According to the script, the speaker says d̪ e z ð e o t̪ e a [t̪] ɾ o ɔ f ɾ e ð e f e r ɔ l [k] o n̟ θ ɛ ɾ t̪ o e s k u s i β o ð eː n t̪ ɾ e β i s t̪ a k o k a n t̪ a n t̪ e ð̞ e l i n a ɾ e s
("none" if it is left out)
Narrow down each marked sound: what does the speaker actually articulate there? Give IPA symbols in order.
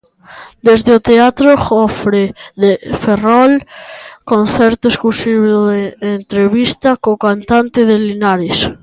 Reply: t̪, k

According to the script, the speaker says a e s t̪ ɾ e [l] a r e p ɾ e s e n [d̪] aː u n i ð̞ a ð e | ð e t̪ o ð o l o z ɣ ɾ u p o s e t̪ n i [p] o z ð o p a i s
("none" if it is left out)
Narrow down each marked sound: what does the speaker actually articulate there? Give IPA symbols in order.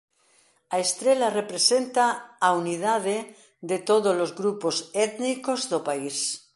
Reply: l, t̪, k

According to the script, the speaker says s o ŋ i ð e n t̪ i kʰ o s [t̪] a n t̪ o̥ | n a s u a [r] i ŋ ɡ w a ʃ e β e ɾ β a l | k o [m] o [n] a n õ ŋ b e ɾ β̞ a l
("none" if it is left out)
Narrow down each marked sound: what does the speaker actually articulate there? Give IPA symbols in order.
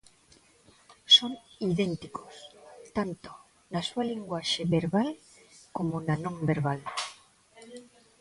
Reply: t̪, l, m, n

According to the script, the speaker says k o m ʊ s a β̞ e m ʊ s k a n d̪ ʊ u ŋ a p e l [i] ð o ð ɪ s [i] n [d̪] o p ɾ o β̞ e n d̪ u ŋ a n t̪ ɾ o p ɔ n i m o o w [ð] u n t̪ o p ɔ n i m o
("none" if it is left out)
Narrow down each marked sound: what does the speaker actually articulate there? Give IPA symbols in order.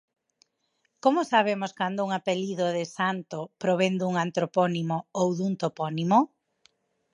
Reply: i, a, t̪, ð

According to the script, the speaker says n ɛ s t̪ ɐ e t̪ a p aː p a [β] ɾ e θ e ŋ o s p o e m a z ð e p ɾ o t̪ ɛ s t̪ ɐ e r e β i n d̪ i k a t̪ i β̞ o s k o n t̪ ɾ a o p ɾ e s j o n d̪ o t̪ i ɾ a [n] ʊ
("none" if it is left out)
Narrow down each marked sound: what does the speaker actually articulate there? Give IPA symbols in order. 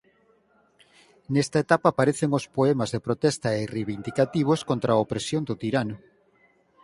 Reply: none, n

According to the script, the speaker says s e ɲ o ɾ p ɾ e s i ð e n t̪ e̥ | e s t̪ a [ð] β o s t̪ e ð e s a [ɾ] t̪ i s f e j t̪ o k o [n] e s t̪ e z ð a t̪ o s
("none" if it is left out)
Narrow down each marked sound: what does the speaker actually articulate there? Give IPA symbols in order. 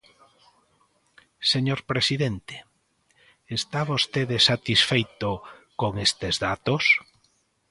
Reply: none, none, ŋ

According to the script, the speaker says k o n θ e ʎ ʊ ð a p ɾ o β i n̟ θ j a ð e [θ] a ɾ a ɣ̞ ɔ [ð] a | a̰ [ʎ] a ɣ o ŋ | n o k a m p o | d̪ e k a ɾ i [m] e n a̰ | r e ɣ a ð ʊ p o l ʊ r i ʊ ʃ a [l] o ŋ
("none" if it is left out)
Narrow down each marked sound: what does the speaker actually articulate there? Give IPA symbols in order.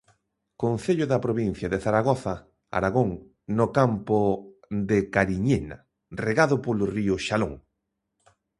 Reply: θ, θ, ɾ, ɲ, l

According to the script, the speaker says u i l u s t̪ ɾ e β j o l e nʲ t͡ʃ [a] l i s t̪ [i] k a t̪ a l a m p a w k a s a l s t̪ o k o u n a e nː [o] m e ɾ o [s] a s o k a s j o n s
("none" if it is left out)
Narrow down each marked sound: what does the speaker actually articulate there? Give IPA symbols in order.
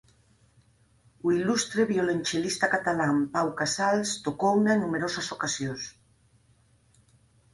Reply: e, a, u, s

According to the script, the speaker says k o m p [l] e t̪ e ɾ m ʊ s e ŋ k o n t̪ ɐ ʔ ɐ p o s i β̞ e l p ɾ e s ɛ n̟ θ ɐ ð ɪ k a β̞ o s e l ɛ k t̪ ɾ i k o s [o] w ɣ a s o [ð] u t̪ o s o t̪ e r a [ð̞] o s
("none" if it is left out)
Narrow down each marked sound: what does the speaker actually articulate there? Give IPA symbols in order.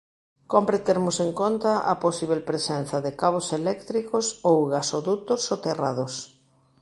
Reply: ɾ, o, ð, ð̞

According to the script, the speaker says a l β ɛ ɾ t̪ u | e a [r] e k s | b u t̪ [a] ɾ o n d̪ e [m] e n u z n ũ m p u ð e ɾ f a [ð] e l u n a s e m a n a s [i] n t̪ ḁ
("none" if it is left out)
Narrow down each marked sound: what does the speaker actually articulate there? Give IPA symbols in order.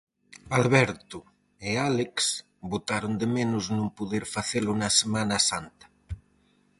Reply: l, a, m, θ, a

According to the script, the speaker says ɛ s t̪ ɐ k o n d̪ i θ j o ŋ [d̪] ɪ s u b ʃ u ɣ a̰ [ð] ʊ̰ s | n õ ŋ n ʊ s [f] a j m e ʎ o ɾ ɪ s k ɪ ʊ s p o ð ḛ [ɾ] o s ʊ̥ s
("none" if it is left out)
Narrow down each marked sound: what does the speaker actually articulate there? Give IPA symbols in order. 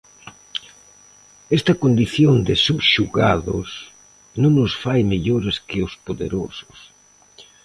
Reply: d̪, ð, f, ɾ

